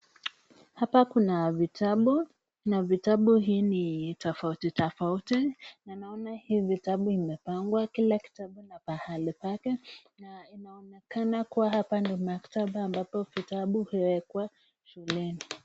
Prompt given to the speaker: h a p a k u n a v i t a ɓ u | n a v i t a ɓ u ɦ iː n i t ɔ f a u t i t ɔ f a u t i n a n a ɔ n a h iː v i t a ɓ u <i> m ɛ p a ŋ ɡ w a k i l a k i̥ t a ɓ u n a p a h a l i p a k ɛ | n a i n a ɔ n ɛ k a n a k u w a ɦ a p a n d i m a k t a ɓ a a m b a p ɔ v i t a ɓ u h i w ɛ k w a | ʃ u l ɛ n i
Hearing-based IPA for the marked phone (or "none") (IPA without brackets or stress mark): i